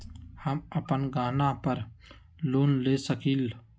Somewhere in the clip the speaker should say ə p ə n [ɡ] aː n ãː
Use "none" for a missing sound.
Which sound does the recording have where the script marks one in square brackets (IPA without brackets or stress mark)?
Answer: ɡ